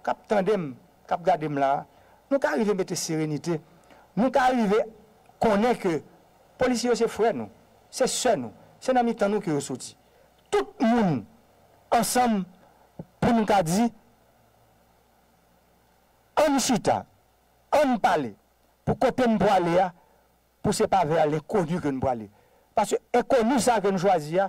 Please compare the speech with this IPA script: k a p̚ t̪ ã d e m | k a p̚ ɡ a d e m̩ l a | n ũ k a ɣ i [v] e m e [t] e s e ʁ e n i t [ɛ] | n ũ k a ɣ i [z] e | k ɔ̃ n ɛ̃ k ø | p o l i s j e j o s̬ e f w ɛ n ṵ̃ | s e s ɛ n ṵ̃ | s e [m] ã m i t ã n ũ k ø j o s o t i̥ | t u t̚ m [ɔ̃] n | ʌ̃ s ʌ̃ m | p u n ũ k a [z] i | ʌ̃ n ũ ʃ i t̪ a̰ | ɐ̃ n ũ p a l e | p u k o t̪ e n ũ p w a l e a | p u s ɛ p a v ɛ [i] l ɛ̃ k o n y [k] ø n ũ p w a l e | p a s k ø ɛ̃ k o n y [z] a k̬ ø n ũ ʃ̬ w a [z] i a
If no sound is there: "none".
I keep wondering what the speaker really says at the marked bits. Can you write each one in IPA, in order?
v, t, e, v, n, ũ, d͡z, a, k, s, z

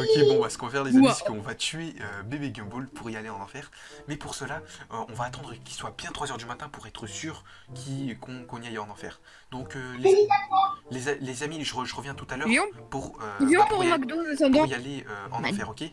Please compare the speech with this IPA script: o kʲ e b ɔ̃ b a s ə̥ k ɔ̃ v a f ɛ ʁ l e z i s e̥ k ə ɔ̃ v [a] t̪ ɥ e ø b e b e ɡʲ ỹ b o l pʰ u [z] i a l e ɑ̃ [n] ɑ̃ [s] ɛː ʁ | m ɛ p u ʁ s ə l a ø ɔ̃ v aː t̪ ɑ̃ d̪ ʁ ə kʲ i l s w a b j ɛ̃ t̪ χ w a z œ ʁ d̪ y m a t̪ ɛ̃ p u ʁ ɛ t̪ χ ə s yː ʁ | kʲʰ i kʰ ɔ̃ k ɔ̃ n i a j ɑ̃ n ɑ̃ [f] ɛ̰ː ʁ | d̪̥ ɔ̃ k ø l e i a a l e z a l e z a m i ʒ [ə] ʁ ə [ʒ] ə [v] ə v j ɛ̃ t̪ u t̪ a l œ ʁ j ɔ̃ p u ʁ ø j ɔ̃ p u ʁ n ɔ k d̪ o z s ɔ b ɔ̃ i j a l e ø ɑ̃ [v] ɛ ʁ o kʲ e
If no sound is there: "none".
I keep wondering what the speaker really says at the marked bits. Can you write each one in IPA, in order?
a, ʁ, n, f, f, ə, ʒ, ʁ, f

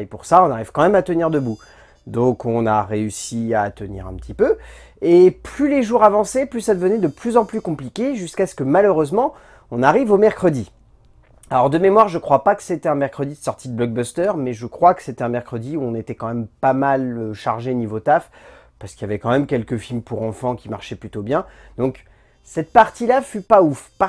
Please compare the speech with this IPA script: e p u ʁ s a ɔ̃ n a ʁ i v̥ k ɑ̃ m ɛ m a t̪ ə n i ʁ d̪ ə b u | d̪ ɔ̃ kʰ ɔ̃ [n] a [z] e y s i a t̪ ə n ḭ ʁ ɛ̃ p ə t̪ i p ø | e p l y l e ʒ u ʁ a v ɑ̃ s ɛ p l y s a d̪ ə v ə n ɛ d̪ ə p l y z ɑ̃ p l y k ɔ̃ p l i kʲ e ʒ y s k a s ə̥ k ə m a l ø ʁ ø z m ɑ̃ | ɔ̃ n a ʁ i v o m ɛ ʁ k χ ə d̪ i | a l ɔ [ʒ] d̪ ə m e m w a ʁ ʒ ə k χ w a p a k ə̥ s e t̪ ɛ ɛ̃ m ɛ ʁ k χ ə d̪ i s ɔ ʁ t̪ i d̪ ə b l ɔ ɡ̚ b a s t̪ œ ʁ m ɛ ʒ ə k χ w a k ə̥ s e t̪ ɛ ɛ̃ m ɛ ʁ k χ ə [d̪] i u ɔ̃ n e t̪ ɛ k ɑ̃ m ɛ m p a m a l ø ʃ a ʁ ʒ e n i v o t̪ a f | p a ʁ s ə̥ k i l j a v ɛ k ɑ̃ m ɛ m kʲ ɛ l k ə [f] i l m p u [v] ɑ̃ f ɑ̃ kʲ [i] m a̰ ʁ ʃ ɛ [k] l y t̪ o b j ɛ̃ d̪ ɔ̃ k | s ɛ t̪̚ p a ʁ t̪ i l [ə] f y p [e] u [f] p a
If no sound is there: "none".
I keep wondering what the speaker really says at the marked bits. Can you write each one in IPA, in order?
n, ʁ, ʁ, d̪, f, ʁ, i, p, a, a, f

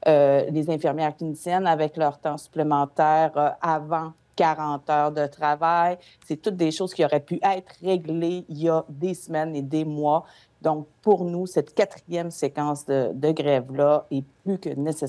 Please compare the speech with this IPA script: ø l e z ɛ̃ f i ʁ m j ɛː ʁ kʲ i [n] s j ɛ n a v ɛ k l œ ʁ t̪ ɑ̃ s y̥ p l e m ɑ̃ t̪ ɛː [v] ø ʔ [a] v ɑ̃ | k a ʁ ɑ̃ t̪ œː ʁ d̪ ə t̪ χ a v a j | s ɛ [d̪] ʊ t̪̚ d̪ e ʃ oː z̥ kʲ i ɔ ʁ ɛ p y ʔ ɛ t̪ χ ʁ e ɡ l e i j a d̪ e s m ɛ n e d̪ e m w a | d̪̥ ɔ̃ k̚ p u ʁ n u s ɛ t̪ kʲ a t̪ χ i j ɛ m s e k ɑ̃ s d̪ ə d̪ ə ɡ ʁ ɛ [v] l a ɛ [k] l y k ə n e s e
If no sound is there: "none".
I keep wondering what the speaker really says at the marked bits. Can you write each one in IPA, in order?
n, ʁ, a, t̪, v, p

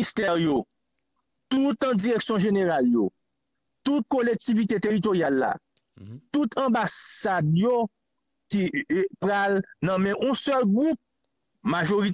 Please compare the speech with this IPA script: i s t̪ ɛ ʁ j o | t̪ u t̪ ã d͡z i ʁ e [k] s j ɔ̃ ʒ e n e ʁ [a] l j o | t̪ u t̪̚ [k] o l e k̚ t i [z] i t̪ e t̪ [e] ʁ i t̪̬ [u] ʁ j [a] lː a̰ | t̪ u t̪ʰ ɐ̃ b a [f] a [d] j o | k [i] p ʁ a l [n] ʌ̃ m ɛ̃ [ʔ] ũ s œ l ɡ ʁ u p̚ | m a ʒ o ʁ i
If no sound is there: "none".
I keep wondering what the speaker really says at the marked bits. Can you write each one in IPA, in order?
k, a, k, v, e, o, a, s, d, i, n, ʔ

